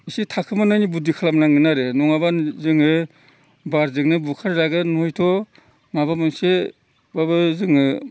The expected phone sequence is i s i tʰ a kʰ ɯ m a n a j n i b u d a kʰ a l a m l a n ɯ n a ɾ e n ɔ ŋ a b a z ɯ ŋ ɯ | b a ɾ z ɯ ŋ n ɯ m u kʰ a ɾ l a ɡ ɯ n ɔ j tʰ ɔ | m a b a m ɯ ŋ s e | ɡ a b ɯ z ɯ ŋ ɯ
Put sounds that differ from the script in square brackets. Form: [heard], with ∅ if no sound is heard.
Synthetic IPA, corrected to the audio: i s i tʰ a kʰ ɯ m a n a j n i b u d [i] kʰ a l a m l a [ŋ] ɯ n a ɾ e n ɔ ŋ a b a z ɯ ŋ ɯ | b a ɾ z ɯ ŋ n ɯ [b] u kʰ a ɾ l a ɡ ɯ n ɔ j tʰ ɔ | m a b a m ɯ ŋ s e | [b] a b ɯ z ɯ ŋ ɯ